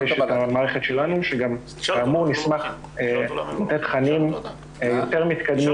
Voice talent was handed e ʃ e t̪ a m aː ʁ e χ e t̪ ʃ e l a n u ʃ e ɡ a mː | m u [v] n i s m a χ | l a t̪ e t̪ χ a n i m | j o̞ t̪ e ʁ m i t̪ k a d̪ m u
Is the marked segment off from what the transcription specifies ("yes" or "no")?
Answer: yes